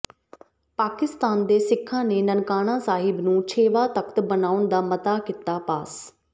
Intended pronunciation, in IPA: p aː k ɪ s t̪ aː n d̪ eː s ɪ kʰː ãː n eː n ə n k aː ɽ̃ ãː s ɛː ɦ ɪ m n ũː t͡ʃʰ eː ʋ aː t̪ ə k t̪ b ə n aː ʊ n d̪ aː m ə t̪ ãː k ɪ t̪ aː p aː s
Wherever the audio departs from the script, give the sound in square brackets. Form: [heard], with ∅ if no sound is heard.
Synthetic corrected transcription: p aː k ɪ s t̪ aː n d̪ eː s ɪ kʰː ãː n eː n ə n k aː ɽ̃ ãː s [aː] ɦ ɪ [b] n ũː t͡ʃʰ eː ʋ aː t̪ ə k t̪ b ə n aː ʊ n d̪ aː m ə t̪ [aː] k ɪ t̪ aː p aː s